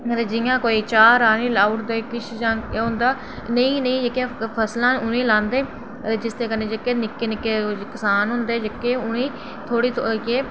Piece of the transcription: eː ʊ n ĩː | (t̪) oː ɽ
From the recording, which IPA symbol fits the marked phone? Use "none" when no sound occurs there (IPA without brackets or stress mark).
t̪ʰ